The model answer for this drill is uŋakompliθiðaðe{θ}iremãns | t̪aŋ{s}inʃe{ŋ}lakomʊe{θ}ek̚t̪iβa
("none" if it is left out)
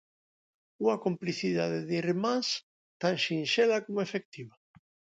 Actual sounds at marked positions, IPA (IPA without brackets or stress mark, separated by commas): ð, ʃ, none, f